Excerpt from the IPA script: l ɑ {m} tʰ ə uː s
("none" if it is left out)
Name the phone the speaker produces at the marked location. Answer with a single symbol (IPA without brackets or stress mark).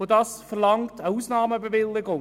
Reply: ŋ